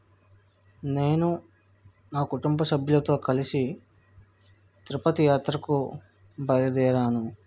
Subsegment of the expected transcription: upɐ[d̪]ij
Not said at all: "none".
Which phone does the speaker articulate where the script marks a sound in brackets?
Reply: t̪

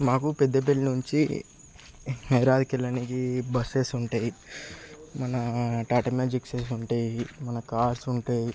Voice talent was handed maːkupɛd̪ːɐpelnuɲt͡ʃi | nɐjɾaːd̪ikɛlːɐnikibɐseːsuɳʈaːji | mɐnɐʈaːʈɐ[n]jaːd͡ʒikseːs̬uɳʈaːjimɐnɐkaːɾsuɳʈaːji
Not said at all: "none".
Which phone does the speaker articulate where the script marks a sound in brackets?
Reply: m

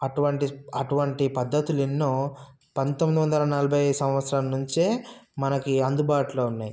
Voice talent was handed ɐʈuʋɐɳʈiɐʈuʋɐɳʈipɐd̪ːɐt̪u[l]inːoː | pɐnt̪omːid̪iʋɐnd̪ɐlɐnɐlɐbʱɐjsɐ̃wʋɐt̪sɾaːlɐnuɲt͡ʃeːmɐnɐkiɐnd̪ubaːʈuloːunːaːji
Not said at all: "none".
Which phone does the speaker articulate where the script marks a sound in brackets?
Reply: l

